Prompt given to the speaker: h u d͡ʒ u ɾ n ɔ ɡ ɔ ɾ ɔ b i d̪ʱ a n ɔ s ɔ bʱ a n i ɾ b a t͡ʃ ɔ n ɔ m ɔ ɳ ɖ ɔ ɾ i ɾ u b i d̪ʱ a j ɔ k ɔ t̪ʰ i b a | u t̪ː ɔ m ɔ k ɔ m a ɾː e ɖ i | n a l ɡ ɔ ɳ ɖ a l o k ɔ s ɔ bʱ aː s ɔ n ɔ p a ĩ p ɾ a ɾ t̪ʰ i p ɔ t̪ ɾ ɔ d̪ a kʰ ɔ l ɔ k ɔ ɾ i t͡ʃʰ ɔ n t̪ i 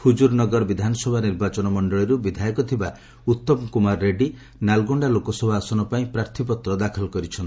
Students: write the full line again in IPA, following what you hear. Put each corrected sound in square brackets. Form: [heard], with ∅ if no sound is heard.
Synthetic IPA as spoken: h u d͡ʒ u ɾ n ɔ ɡ ɔ ɾ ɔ b i d̪ʱ a n ɔ s ɔ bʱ a n i ɾ b a t͡ʃ ɔ n ɔ m ɔ ɳ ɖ ɔ [ɭ] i ɾ u b i d̪ʱ a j ɔ k ɔ t̪ʰ i b a | u t̪ː ɔ m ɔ k [u] m a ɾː e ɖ i | n a l ɡ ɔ ɳ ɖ a l o k ɔ s ɔ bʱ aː s ɔ n ɔ p a ĩ p ɾ a ɾ t̪ʰ i p ɔ t̪ ɾ ɔ d̪ a kʰ ɔ l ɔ k ɔ ɾ i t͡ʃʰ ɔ n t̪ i